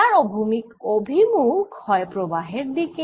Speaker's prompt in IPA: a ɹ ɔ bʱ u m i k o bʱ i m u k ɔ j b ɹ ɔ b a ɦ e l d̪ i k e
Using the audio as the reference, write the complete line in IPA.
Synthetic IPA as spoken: a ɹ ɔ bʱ u m i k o bʱ i m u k ɔ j p ɹ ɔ b a ɦ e ɹ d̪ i k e